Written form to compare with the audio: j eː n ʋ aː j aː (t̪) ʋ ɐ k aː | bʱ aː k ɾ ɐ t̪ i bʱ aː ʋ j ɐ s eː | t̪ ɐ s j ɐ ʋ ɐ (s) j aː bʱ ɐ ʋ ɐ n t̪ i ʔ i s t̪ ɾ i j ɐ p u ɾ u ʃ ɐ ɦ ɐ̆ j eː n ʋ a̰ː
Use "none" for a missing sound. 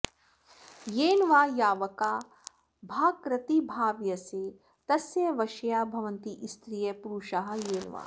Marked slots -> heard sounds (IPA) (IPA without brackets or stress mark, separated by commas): none, ʃ